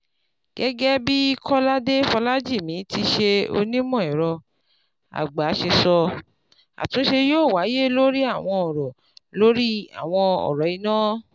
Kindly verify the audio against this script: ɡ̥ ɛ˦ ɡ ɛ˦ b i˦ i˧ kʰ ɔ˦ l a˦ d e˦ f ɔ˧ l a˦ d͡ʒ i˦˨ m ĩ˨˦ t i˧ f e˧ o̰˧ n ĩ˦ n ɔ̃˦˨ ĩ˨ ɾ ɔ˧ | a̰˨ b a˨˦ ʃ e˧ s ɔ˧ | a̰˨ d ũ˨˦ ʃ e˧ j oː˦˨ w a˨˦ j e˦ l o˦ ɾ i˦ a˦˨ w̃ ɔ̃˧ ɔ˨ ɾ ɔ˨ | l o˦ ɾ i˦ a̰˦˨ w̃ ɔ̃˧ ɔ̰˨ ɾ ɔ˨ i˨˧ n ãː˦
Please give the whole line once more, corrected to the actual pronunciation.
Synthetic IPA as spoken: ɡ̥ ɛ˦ ɡ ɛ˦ b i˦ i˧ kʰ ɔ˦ l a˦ d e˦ f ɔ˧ l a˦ d͡ʒ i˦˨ m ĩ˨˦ t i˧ ʃ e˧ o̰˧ n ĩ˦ m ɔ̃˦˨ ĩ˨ ɾ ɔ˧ | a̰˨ ɡ͡b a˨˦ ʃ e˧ s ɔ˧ | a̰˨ t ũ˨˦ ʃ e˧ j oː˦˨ w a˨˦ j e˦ l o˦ ɾ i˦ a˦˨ w̃ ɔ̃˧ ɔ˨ ɾ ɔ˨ | l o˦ ɾ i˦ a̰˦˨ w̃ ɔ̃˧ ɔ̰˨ ɾ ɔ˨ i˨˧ n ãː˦